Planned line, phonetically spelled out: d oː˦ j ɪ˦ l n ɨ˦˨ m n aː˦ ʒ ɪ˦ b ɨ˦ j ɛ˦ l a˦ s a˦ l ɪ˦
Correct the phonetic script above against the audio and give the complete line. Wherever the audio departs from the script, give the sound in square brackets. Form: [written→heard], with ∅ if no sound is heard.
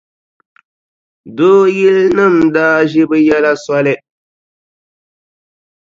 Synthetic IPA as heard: d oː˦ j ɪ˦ l n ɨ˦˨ m [n→d] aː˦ ʒ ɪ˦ b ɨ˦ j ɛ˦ l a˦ s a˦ l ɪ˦